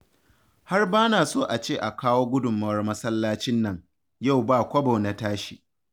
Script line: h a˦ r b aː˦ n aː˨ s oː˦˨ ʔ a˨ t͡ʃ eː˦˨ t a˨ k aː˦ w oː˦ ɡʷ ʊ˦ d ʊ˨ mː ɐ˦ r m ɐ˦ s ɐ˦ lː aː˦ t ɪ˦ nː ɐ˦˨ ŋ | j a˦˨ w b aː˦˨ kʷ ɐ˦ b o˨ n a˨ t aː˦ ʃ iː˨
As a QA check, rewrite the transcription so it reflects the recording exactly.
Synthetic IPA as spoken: h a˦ r b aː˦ n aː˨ s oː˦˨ ʔ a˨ t͡ʃ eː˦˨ ʔ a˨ k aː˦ w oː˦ ɡʷ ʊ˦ d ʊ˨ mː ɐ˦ r m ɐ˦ s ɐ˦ lː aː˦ t͡ʃ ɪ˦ nː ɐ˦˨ ŋ | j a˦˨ w b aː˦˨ kʷ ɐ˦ b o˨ n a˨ t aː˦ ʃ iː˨